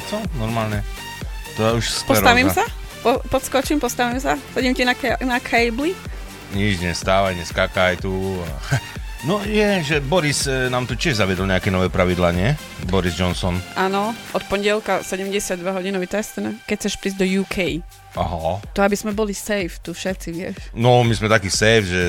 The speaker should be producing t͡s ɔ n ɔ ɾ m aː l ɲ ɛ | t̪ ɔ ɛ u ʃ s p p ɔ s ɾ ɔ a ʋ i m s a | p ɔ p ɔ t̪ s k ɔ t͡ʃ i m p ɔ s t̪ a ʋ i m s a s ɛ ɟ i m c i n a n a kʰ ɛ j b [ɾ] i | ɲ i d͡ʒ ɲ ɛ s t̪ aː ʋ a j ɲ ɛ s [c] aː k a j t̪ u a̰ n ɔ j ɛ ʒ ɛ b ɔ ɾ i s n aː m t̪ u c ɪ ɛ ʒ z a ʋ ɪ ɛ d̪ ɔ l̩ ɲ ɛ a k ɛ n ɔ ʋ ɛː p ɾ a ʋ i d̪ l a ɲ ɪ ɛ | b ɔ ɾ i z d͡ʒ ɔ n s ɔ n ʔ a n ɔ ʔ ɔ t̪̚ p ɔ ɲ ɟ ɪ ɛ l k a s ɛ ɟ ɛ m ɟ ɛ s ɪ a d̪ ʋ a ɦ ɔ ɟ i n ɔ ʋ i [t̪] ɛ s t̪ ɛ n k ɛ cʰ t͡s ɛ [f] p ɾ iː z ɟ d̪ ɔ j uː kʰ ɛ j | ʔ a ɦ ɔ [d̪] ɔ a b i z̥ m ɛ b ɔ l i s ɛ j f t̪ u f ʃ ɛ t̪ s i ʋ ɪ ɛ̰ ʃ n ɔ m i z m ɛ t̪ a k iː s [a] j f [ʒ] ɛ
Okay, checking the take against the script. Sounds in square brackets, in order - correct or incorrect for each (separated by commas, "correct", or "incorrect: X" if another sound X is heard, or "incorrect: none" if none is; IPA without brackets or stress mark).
incorrect: l, incorrect: k, correct, incorrect: ʃ, incorrect: t̪, incorrect: ɛ, correct